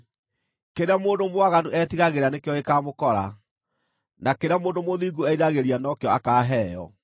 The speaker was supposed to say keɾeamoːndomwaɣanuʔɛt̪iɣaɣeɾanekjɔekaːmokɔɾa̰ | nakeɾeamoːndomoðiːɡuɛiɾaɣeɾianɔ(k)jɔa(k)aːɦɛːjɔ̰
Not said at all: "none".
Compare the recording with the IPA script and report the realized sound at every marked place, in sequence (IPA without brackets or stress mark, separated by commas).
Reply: k, k